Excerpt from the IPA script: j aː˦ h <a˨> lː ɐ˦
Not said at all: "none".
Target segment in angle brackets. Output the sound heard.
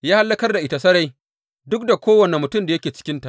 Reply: a˦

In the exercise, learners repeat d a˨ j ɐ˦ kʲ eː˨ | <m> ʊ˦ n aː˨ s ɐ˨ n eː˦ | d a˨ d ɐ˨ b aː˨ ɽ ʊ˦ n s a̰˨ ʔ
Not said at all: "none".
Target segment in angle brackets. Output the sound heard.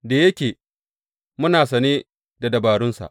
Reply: m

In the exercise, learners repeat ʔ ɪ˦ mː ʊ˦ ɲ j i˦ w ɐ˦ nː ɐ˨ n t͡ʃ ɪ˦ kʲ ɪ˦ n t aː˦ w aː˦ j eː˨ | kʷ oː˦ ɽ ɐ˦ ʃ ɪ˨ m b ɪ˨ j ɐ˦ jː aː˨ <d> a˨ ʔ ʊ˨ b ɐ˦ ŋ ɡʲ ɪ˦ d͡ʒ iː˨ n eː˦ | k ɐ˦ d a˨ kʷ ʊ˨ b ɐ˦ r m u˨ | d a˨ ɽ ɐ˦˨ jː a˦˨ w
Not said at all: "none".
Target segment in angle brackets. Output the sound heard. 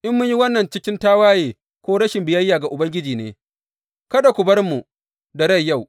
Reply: ɡ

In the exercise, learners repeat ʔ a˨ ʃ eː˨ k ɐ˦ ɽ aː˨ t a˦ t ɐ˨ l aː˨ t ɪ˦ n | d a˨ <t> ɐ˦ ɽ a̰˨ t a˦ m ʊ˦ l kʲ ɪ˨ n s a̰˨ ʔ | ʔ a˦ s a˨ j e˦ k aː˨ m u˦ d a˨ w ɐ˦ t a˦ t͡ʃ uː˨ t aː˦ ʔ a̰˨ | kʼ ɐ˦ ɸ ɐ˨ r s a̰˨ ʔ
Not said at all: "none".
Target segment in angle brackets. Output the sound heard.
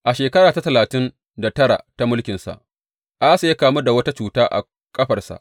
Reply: t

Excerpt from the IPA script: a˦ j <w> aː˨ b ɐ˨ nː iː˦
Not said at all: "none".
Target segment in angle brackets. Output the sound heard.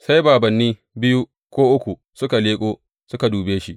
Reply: b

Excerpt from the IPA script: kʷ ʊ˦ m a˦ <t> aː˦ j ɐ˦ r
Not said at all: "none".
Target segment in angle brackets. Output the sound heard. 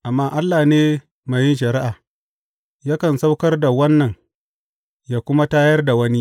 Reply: t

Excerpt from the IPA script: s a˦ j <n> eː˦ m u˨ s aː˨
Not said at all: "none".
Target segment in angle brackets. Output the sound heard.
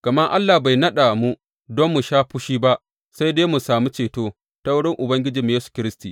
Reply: d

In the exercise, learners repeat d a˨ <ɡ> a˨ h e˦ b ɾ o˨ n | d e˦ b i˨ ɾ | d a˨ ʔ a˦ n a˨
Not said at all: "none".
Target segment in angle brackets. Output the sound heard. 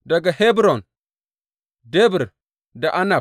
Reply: ɡ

